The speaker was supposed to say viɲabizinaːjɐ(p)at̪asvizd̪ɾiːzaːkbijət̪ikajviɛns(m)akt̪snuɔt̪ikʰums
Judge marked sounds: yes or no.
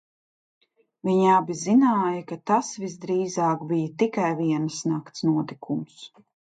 no, no

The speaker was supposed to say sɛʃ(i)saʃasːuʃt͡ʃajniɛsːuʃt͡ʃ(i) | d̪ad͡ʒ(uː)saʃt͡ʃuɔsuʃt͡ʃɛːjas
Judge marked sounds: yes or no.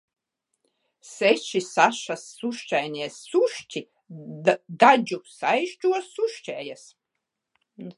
yes, yes, no

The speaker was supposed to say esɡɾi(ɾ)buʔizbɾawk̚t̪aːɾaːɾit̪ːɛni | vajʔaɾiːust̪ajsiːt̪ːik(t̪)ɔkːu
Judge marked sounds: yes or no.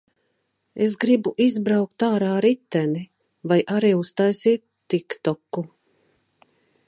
no, yes

